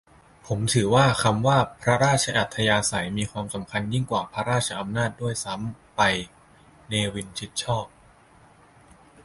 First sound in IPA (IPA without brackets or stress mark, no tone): pʰ